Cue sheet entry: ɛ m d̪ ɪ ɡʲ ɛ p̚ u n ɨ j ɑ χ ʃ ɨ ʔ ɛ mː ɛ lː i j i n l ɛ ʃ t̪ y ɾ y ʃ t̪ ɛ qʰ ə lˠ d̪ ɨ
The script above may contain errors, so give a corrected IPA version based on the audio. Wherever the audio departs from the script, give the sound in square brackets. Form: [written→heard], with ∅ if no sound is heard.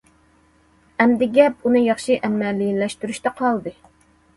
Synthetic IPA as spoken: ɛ m d̪ ɪ ɡʲ ɛ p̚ u n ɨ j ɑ χ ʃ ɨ ʔ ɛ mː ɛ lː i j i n l ɛ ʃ t̪ y ɾ y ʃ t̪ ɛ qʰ [ə→ɑ] lˠ d̪ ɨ